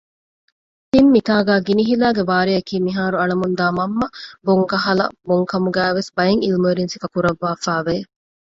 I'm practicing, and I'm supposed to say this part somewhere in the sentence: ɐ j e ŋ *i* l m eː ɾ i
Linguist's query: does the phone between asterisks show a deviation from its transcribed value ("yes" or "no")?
no